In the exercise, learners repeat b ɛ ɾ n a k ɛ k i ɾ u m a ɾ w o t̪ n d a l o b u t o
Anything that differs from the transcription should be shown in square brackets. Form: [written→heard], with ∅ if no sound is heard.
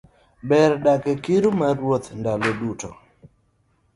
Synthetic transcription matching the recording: b ɛ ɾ [n→d] a k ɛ k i ɾ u m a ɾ w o t̪ n d a l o [b→d] u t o

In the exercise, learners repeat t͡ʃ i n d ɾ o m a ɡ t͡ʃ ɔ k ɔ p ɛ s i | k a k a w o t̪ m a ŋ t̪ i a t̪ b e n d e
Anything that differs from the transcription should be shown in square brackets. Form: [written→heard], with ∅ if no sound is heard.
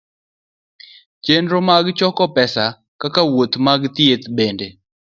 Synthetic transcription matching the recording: t͡ʃ [i→e] n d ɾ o m a ɡ t͡ʃ ɔ k ɔ p ɛ s [i→a] | k a k a w o t̪ m a [ŋ→ɡ] t̪ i [a→e] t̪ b e n d e

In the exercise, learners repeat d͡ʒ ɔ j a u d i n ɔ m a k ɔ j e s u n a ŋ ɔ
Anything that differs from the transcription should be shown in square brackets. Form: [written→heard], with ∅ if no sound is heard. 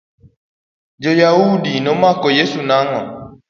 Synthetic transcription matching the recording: d͡ʒ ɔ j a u d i n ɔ m a k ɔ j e s u n a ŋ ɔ

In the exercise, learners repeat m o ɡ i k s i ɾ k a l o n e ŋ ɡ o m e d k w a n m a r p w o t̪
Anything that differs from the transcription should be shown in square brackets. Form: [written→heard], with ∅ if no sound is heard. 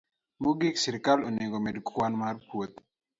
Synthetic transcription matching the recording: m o ɡ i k s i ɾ k a l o n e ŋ ɡ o m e d k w a n m a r p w o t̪

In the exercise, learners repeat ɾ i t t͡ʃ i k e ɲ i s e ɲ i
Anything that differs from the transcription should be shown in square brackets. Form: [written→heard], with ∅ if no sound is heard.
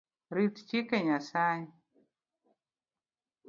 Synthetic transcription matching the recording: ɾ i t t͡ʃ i k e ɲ [i→a] s [e→a] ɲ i

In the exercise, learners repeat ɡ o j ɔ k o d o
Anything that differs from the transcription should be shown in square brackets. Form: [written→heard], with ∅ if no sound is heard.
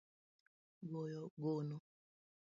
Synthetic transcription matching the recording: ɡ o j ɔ [k→ɡ] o [d→n] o

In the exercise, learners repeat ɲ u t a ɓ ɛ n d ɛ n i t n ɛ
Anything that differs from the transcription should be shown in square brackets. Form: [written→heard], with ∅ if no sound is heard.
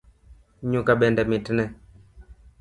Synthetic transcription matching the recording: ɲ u [t→k] a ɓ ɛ n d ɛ [n→m] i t n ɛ

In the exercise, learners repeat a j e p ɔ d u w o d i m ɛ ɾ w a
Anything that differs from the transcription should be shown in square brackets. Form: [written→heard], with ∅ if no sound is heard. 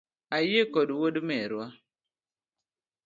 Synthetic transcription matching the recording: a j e [p→k] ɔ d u w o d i m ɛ ɾ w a

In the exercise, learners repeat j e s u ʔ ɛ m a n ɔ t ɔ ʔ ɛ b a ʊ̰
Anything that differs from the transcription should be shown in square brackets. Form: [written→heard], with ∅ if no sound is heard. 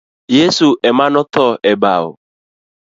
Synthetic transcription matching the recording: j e s u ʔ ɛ m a n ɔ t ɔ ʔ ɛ b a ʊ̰

